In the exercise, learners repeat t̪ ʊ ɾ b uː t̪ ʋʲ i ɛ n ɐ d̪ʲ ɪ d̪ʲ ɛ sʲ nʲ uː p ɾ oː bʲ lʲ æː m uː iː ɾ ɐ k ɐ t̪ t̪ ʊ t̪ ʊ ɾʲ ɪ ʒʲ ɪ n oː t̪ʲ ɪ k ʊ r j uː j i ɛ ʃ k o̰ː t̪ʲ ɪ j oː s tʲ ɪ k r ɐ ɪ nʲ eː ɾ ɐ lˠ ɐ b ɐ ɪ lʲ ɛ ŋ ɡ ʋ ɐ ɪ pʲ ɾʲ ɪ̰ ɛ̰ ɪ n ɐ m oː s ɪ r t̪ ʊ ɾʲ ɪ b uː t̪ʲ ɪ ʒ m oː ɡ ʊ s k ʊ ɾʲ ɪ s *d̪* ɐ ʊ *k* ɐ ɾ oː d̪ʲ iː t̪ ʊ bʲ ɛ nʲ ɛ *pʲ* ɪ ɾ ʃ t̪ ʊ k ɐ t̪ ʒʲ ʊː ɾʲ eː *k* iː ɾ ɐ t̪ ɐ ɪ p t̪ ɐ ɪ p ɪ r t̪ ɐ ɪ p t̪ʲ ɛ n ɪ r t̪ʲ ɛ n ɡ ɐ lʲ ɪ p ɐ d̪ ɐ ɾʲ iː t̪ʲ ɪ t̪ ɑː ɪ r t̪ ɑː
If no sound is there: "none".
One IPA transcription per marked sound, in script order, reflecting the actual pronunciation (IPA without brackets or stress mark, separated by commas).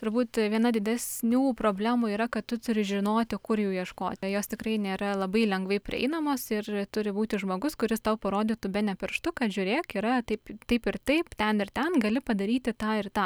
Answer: t̪, p, pʲ, k